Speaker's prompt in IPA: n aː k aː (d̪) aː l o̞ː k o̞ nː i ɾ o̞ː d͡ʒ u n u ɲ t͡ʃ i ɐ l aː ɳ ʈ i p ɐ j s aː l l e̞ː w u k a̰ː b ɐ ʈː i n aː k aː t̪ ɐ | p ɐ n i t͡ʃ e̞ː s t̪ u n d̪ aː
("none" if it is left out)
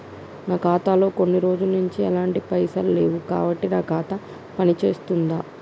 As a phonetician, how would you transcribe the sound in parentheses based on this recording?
t̪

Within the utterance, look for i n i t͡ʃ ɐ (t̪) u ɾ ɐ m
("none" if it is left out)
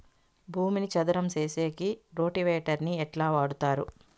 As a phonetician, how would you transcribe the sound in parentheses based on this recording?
d̪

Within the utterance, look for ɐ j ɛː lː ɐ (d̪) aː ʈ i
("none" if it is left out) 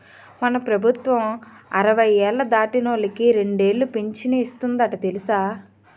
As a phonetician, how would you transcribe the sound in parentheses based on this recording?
d̪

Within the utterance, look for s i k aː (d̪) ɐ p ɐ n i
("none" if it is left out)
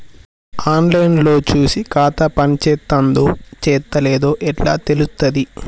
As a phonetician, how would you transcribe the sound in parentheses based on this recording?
t̪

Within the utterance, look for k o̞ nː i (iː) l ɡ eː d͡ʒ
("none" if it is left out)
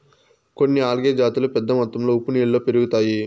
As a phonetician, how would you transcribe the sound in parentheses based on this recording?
aː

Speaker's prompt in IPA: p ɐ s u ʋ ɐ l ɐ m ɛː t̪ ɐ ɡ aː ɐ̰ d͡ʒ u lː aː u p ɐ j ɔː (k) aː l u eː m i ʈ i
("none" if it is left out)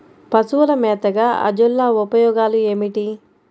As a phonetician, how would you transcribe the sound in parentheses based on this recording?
ɡ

